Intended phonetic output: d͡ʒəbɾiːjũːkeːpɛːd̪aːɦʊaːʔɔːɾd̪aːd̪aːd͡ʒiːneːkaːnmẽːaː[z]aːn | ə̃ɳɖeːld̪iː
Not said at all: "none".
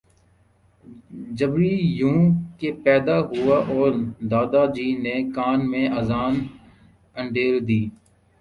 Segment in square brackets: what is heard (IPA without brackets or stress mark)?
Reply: z